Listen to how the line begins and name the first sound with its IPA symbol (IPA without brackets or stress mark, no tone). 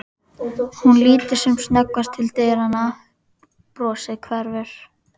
h